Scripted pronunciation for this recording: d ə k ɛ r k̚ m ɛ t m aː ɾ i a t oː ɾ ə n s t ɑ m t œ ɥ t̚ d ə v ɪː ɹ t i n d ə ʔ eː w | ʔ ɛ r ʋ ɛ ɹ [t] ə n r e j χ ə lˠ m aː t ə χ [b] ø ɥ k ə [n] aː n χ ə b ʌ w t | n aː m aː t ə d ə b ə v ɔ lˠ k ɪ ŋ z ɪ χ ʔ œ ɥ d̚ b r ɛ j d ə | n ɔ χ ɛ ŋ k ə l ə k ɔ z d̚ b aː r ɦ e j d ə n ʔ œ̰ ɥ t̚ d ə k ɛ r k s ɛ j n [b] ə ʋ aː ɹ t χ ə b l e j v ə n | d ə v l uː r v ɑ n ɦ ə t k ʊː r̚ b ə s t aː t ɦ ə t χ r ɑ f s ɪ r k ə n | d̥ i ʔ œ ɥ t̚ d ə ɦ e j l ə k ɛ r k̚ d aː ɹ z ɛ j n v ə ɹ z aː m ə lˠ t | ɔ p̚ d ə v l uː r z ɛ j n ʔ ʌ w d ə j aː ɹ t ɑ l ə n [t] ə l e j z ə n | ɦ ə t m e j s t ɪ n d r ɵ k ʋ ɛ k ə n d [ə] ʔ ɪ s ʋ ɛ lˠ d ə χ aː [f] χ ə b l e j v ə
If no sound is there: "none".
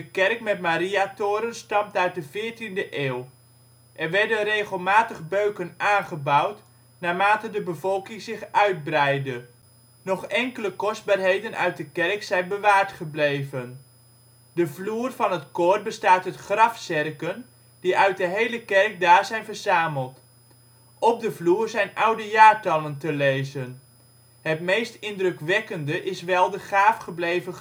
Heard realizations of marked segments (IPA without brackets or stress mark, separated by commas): d, b, n, b, t, ə, f